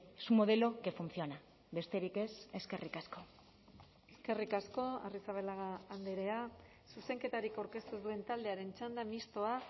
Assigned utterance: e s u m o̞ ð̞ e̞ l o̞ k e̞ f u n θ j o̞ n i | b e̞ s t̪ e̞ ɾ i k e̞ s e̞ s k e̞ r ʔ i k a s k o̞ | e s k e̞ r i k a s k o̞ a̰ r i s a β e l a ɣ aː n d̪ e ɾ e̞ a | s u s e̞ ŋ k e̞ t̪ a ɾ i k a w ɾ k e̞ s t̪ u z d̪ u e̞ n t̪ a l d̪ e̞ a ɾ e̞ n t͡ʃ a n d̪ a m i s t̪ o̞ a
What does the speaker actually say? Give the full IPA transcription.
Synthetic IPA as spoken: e s u m o̞ ð̞ e̞ l o̞ k e̞ f u n θ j o̞ n a | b e̞ s t̪ e̞ ɾ i k e̞ s e̞ s k e̞ r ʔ i k a s k o̞ | e s k e̞ r i k a s k o̞ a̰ r i s a β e l a ɣ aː n d̪ e ɾ e̞ a | s u s e̞ ŋ k e̞ t̪ a ɾ i k a w ɾ k e̞ s t̪ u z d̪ u e̞ n t̪ a l d̪ e̞ a ɾ e̞ n t͡ʃ a n d̪ a m i s t̪ o̞ a